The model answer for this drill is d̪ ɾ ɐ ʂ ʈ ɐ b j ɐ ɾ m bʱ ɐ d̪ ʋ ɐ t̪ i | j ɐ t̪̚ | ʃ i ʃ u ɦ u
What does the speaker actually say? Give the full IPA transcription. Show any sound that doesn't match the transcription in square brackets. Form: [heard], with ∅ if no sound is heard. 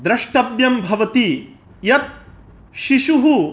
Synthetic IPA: d̪ ɾ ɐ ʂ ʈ ɐ b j ɐ [∅] m bʱ ɐ [∅] ʋ ɐ t̪ i | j ɐ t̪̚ | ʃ i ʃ u ɦ u